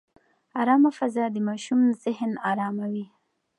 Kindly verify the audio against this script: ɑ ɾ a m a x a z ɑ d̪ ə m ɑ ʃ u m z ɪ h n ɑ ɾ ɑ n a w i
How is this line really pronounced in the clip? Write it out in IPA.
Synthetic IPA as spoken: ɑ ɾ ɑ m a f a z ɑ d̪ ə m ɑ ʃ u m z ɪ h n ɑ ɾ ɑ m a w i